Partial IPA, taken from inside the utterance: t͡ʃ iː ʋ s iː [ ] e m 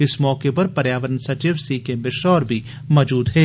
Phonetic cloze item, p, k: k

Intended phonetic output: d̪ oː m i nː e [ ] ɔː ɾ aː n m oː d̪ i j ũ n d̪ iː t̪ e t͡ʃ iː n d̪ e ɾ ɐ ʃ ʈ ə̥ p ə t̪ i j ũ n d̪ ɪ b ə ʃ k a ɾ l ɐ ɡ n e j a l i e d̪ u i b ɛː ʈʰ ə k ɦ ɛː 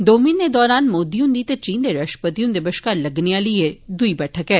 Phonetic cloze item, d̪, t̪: d̪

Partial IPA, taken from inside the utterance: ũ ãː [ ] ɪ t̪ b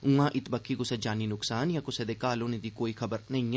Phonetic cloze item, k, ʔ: ʔ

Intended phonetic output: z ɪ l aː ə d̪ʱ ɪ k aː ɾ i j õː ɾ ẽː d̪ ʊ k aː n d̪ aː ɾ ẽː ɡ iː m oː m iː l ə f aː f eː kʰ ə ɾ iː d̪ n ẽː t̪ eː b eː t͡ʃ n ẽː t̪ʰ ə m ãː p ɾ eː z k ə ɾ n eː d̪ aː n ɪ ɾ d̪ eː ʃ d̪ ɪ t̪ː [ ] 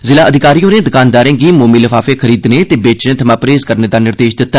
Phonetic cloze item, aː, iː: aː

